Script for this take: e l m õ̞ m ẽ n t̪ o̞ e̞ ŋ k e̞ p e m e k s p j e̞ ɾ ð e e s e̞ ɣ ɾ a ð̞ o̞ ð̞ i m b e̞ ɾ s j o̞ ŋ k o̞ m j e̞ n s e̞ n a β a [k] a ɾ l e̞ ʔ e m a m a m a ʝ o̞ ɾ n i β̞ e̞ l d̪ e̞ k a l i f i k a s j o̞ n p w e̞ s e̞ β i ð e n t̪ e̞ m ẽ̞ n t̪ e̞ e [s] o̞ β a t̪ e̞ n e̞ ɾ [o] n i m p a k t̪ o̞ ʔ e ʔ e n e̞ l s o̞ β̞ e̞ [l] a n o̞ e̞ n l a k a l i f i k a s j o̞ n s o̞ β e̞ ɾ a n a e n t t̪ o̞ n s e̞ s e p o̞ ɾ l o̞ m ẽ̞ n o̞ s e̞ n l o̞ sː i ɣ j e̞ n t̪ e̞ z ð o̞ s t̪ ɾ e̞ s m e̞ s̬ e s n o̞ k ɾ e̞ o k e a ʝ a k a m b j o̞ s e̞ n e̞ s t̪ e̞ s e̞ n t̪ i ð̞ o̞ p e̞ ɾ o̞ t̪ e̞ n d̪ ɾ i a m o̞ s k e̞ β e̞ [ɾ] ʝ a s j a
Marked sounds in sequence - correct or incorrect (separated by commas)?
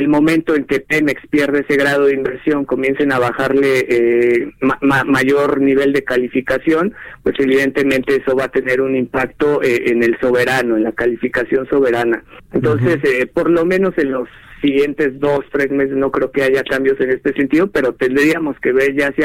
incorrect, correct, incorrect, incorrect, correct